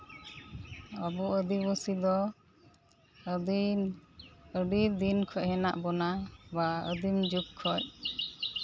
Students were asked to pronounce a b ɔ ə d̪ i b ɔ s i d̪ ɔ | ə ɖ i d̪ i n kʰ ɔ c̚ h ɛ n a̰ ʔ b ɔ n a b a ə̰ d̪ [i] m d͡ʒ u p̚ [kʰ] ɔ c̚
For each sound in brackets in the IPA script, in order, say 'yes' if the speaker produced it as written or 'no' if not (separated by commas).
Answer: yes, yes